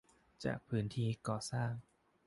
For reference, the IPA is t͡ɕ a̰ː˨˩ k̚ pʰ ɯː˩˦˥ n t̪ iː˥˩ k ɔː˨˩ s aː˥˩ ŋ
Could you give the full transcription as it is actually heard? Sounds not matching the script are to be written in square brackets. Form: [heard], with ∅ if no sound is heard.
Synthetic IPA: t͡ɕ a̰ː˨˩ k̚ pʰ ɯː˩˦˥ n [t̪ʰ] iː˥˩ k ɔː˨˩ s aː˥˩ ŋ

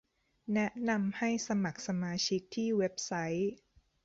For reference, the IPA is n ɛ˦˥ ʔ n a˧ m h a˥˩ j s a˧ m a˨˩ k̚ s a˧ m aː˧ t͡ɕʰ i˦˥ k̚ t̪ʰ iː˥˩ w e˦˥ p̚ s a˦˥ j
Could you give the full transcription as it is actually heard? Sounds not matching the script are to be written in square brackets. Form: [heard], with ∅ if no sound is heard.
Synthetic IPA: n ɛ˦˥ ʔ n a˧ m h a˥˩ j s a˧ m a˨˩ k̚ s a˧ m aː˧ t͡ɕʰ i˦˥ k̚ t̪ʰ iː˥˩ w e˦˥ p̚ s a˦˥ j

